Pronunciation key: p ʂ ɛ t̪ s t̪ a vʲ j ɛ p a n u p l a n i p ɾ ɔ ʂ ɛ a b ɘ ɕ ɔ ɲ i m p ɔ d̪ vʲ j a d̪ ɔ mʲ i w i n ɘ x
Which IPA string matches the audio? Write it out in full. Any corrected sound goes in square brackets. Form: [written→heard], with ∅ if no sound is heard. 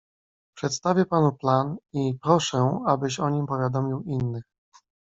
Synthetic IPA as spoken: p ʂ ɛ t̪ s t̪ a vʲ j ɛ p a n u p l a n i p ɾ ɔ ʂ ɛ a b ɘ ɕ ɔ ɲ i m p ɔ [d̪→∅] vʲ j a d̪ ɔ mʲ i w i [n→nː] ɘ x